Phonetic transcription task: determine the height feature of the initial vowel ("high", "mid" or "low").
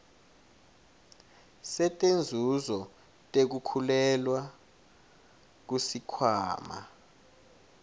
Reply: mid